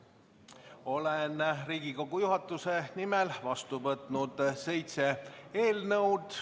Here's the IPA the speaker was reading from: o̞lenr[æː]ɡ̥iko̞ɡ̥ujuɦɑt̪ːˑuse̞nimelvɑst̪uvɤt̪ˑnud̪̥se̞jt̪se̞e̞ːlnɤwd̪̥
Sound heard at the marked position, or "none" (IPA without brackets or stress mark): iː